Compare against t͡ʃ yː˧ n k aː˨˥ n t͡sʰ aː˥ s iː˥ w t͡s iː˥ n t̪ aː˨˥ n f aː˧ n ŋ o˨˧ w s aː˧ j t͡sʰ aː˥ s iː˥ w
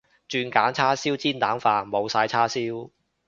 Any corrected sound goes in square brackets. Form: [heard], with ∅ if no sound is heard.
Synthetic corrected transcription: t͡ʃ yː˧ n k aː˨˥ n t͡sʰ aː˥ s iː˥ w t͡s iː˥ n t̪ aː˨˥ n f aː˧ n [m] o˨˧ w s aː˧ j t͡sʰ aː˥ s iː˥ w